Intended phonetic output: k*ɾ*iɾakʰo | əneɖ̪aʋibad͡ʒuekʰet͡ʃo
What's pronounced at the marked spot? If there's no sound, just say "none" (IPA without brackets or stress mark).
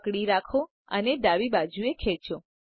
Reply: ɽ